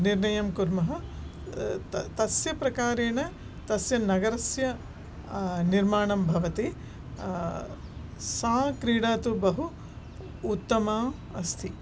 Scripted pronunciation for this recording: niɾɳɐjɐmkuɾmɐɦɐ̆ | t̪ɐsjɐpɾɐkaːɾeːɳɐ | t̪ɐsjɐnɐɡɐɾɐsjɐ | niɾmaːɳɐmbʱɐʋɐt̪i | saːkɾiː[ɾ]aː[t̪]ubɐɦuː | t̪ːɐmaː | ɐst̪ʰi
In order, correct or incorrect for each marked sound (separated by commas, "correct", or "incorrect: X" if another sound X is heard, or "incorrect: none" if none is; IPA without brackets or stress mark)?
incorrect: ɽ, correct